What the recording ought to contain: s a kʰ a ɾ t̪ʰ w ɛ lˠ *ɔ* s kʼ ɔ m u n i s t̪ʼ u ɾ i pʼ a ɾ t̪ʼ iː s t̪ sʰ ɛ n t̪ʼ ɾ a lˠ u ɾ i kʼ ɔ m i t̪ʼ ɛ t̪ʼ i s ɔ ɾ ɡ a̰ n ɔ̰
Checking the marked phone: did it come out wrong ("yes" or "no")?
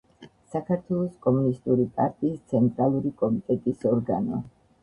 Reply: no